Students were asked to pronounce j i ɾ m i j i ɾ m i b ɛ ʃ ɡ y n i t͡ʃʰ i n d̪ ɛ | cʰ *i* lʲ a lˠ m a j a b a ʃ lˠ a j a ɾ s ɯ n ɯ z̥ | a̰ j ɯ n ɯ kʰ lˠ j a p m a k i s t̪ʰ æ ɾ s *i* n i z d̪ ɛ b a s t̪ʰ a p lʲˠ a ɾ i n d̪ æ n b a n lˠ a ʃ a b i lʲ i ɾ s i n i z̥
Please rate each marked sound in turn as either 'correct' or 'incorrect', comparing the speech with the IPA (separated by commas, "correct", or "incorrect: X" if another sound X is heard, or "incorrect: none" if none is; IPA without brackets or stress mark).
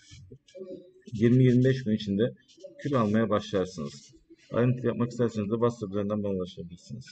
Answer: incorrect: y, incorrect: e